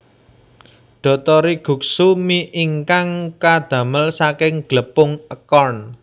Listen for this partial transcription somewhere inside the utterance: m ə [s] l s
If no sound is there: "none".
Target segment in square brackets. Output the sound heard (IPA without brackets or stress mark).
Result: none